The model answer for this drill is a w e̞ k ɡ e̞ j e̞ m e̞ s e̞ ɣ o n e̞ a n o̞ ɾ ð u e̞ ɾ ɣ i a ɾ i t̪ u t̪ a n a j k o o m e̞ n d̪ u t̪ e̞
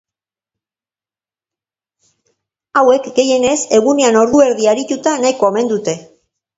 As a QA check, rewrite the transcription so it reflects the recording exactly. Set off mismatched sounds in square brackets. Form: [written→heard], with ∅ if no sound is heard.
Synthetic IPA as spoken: a w e̞ k ɡ e̞ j e̞ [m→n] e̞ s e̞ ɣ [o→u] n e̞ a n o̞ ɾ ð u e̞ ɾ [ɣ→ð] i a ɾ i t̪ u t̪ a n a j k o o m e̞ n d̪ u t̪ e̞